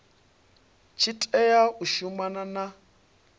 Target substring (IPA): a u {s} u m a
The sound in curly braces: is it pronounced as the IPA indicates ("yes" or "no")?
no